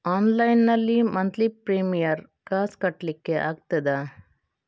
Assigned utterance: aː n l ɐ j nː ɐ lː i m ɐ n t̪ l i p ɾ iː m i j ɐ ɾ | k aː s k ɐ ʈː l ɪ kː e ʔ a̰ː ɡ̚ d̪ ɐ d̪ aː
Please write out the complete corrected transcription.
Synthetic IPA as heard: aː n l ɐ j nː ɐ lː i m ɐ n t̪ l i p ɾ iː m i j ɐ ɾ | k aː s k ɐ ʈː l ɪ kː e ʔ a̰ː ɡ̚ t̪ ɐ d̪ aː